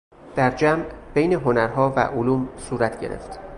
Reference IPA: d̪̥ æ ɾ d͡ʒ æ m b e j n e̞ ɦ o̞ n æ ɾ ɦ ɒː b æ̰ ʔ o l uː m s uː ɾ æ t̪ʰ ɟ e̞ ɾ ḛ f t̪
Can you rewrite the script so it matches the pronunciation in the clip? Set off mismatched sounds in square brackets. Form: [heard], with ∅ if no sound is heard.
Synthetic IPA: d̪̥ æ ɾ d͡ʒ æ m b e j n e̞ ɦ o̞ n æ ɾ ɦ ɒː [v] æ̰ ʔ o l uː m s uː ɾ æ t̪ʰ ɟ e̞ ɾ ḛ f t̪